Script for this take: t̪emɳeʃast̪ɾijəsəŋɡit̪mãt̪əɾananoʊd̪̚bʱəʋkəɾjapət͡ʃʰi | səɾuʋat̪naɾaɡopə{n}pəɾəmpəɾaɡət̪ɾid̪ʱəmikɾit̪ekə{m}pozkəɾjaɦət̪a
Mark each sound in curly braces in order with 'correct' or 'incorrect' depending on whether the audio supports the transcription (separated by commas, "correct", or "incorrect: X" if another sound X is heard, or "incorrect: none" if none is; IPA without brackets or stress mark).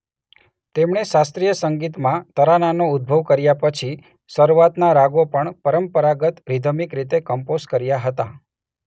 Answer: incorrect: ɳ, correct